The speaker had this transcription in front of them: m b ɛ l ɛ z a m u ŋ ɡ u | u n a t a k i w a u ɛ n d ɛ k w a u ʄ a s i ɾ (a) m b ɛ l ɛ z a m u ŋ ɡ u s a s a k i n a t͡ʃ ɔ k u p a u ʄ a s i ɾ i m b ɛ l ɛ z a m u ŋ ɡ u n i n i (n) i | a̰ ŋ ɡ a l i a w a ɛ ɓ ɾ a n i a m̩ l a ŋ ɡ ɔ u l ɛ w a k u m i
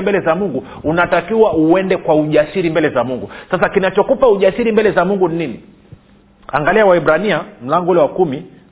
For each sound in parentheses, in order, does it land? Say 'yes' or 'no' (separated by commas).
no, yes